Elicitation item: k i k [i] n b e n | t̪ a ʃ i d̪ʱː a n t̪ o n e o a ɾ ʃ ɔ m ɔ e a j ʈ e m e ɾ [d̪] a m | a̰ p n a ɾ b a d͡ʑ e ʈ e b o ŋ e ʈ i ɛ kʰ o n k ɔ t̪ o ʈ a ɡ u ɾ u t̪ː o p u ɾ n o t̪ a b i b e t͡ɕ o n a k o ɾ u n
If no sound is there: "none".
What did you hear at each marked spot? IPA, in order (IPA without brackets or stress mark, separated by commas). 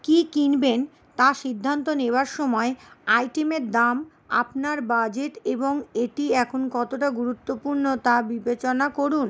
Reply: i, d̪